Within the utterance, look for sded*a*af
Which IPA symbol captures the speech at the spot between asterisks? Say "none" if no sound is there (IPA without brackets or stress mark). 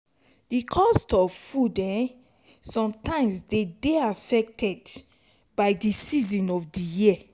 e